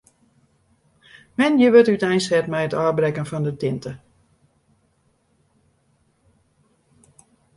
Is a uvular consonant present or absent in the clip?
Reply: absent